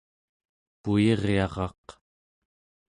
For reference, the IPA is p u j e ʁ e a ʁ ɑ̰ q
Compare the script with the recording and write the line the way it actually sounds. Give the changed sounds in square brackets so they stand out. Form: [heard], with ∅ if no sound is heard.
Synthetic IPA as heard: p u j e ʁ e [ɑ] ʁ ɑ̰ q